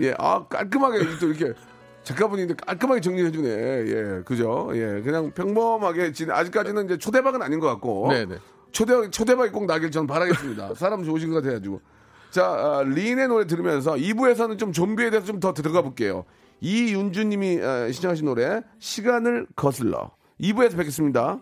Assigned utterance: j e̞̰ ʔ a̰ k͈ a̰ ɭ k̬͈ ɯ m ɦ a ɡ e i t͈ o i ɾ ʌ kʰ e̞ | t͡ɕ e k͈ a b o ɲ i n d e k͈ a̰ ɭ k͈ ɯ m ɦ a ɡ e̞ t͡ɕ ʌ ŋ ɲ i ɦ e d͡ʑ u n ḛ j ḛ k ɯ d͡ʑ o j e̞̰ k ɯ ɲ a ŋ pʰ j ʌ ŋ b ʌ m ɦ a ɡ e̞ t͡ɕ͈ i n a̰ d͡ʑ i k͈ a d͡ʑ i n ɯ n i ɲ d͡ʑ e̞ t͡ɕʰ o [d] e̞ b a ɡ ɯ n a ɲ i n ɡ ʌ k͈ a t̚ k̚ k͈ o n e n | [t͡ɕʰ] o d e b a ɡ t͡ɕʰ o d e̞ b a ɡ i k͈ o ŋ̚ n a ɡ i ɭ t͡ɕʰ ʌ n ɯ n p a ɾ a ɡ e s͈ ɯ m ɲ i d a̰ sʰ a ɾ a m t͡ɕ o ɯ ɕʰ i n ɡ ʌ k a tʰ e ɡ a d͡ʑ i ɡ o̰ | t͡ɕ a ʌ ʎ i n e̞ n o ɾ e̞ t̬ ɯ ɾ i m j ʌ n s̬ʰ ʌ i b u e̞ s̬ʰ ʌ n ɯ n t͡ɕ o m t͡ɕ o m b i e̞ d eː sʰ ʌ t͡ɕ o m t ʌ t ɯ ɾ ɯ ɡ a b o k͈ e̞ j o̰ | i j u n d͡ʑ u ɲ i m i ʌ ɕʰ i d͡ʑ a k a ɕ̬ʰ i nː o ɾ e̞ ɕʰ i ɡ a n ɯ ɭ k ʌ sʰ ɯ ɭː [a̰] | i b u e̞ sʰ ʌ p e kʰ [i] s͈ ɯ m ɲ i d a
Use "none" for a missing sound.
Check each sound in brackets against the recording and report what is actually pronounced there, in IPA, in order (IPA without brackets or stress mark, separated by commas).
d, t͡ɕʰ, ʌ̰, e